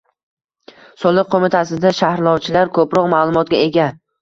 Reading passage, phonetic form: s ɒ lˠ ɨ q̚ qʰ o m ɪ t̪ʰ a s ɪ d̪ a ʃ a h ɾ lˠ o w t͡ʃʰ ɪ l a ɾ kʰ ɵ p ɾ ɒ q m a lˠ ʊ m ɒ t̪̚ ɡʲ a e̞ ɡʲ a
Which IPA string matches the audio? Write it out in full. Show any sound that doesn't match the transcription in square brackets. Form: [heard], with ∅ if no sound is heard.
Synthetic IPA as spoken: s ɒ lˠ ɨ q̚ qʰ o m ɪ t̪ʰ a s ɪ d̪ a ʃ a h ɾ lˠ [ɒ] w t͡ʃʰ ɪ l a ɾ kʰ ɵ p ɾ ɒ q m a lˠ ʊ m ɒ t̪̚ ɡʲ a e̞ ɡʲ a